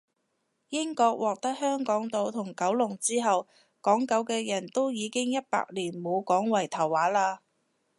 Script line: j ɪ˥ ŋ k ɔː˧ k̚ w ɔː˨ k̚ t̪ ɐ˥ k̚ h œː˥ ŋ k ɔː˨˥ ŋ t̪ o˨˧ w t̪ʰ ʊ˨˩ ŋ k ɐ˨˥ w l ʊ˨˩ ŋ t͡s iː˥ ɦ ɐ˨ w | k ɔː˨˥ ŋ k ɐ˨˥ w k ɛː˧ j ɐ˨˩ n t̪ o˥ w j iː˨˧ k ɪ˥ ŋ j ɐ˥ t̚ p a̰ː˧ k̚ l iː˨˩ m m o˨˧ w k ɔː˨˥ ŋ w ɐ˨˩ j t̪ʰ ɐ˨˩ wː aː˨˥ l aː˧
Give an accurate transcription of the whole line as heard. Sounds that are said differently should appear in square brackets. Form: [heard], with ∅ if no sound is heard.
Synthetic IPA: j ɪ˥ ŋ k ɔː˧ k̚ w ɔː˨ k̚ t̪ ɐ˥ k̚ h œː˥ ŋ k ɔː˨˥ ŋ t̪ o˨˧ w t̪ʰ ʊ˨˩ ŋ k ɐ˨˥ w l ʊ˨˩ ŋ t͡s iː˥ ɦ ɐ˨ w | k ɔː˨˥ ŋ k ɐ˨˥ w k ɛː˧ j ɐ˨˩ n t̪ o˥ w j iː˨˧ k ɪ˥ ŋ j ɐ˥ t̚ p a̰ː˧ k̚ l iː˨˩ [n] m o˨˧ w k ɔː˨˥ ŋ w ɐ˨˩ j t̪ʰ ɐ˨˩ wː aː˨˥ l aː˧